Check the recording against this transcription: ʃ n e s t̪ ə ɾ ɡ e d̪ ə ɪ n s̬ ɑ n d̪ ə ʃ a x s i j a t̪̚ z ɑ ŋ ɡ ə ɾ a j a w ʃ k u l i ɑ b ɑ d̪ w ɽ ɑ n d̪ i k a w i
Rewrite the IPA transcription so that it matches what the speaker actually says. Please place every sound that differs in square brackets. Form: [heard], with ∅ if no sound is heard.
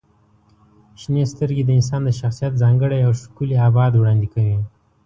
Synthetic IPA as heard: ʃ n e s t̪ ə ɾ ɡ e d̪ ə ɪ n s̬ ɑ n d̪ ə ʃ a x s i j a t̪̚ z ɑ ŋ ɡ ə [ɽ] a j a w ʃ k u l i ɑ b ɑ d̪ w ɽ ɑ n d̪ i k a w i